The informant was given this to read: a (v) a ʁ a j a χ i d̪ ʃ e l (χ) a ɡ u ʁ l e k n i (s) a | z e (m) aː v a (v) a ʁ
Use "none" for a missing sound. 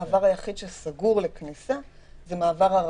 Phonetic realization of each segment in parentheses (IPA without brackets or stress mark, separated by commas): v, s, s, m, ʁ